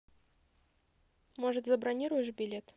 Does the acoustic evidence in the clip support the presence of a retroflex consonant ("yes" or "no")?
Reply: yes